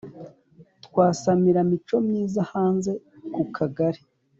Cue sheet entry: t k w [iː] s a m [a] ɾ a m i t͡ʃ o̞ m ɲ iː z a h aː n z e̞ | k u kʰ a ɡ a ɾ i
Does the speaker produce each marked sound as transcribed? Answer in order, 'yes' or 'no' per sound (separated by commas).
no, no